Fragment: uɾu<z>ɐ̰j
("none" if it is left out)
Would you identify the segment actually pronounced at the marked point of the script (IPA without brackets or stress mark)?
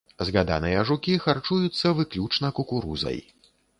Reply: z